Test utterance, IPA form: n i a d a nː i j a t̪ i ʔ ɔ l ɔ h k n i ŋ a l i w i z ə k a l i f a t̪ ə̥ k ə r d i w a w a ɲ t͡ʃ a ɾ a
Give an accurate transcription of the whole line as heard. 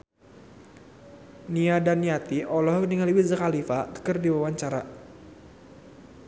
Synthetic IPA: n i a d a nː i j a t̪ i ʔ ɔ l ɔ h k n i ŋ a l i w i z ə k a l i f a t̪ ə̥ k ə r d i w a w a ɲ t͡ʃ a ɾ a